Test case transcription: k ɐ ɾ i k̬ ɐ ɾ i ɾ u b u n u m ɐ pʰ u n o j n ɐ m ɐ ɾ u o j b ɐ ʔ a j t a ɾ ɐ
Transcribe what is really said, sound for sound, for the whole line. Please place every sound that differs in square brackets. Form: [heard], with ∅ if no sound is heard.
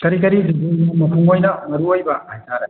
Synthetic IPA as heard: k ɐ ɾ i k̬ ɐ ɾ i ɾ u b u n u m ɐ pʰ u [ŋ] o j n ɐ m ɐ ɾ u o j b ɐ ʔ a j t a ɾ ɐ